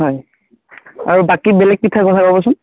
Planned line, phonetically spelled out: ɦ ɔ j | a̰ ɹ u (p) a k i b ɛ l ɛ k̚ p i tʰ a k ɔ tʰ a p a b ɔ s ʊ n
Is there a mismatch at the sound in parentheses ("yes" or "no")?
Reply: yes